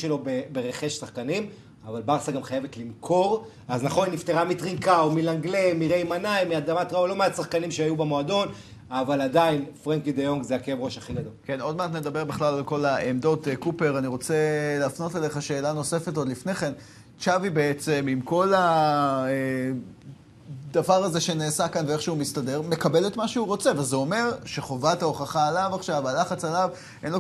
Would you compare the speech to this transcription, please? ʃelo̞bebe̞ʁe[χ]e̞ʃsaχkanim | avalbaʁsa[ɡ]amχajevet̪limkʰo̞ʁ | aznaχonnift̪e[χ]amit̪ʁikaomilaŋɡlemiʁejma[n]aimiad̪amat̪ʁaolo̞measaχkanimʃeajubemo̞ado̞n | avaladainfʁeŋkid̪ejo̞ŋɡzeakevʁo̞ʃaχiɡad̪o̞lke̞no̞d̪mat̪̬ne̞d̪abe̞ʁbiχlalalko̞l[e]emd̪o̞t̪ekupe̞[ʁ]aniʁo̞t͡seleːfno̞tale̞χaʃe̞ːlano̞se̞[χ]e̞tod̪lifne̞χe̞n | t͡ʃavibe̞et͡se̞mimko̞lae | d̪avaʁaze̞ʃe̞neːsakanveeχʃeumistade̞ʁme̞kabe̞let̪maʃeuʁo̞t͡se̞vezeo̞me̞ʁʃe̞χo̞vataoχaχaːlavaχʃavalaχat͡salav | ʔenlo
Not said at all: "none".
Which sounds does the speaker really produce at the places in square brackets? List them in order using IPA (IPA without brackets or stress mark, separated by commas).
χ, ɡ, ʁ, n, a, ʁ, f